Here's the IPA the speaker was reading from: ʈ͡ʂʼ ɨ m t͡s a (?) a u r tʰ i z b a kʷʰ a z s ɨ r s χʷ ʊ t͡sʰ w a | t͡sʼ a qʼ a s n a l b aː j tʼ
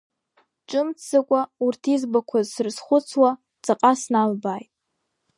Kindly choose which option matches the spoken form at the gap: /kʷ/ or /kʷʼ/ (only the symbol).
kʷʼ